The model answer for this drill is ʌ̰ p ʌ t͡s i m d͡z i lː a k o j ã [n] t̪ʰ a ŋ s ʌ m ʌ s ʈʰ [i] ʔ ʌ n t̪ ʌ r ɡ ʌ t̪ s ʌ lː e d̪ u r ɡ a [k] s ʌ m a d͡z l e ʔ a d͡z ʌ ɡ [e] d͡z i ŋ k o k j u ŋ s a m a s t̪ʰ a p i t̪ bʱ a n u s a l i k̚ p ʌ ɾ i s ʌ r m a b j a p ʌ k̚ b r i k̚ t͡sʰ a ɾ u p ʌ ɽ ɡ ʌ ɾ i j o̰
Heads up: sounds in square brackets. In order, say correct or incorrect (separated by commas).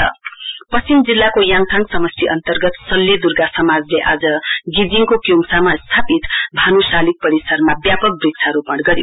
incorrect, correct, incorrect, incorrect